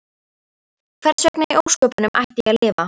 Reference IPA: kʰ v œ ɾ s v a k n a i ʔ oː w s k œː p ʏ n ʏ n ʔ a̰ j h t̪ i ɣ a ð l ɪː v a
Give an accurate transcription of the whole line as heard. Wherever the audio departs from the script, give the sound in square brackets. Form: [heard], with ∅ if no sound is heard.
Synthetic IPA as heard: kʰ v [ɛ] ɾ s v [ɛ] k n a i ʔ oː w s k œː p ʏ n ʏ [m] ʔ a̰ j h t̪ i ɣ a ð l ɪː v a